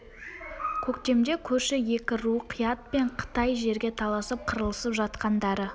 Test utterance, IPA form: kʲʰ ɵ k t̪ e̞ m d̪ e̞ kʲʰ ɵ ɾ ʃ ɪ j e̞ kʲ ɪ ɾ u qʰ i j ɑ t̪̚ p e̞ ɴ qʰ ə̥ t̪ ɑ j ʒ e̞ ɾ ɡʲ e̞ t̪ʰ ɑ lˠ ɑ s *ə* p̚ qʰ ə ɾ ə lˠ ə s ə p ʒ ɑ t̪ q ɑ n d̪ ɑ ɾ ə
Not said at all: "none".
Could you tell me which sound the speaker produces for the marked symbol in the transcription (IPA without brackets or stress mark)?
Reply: ə